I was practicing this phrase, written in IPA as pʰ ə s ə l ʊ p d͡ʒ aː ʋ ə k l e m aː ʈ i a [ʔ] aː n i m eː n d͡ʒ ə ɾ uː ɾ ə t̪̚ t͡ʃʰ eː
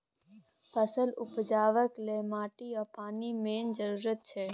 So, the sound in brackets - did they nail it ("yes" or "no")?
no